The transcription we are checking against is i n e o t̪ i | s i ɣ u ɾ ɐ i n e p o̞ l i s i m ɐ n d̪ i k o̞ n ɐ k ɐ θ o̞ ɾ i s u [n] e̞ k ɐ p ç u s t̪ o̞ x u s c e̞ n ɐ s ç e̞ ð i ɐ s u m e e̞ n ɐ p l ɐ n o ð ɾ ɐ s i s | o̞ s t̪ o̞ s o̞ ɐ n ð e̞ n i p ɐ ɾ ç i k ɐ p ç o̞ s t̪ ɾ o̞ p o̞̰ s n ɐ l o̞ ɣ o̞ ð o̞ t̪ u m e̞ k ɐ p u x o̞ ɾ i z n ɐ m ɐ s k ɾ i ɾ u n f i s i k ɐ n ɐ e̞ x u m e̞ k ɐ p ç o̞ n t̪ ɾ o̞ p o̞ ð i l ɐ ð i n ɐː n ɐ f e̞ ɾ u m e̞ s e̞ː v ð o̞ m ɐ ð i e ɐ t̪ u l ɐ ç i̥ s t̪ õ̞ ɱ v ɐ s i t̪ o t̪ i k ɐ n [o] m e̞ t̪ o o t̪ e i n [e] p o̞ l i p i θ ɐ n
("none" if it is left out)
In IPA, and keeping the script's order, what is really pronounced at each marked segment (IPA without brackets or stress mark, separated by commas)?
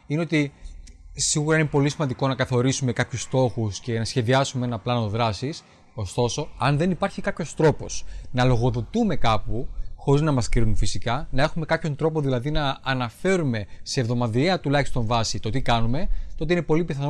m, u, e